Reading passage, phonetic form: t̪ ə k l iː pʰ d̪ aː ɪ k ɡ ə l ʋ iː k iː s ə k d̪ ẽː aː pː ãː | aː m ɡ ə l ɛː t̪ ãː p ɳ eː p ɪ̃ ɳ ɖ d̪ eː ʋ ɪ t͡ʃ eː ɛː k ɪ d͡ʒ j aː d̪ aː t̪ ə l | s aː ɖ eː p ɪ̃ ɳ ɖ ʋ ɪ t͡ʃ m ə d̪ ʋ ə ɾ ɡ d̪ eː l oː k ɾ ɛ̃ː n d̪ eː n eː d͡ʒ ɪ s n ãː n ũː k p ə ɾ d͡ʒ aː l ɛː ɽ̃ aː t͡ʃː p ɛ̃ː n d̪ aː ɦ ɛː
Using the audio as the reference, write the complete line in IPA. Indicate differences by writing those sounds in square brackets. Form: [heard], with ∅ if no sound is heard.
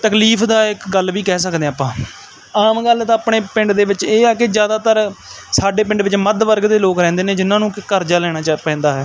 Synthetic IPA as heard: t̪ ə k l iː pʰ d̪ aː ɪ k ɡ ə l ʋ iː k [ɛː] s ə k d̪ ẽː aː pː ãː | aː m ɡ ə l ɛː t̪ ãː p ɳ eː p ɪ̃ ɳ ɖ d̪ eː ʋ ɪ t͡ʃ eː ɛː k ɪ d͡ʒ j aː d̪ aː t̪ ə [ɾ] | s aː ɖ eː p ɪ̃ ɳ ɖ ʋ ɪ t͡ʃ m ə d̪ ʋ ə ɾ ɡ d̪ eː l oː k ɾ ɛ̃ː n d̪ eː n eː d͡ʒ ɪ [∅] n ãː n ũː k [k] ə ɾ d͡ʒ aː l ɛː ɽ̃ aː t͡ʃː p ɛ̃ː n d̪ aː ɦ ɛː